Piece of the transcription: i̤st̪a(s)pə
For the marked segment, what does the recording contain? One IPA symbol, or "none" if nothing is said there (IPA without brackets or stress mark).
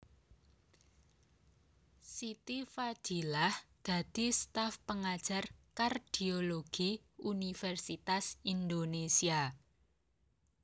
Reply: f